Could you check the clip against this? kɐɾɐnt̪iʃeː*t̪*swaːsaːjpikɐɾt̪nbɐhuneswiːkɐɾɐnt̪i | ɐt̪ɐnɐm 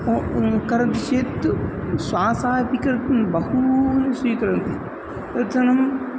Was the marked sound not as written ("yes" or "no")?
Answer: no